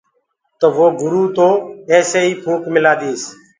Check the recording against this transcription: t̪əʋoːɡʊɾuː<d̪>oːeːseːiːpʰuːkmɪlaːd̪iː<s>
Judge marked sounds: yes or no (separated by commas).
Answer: no, yes